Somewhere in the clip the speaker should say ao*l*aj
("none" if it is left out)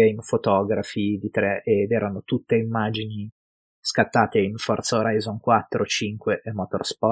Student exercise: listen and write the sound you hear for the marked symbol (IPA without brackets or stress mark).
ɾ